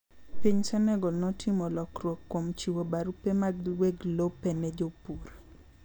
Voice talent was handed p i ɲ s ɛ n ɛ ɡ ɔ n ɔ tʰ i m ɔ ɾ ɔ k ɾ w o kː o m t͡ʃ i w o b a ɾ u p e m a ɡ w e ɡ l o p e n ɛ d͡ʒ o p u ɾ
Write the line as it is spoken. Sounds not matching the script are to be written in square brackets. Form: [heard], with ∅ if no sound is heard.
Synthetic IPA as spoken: p i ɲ s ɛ n ɛ ɡ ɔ n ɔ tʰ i m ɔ [l] ɔ k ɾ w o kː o m t͡ʃ i w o b a ɾ u p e m a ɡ w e ɡ l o p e n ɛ d͡ʒ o p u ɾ